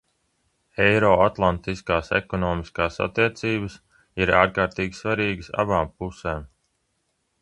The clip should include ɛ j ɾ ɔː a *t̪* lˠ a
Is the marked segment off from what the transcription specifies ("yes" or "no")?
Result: no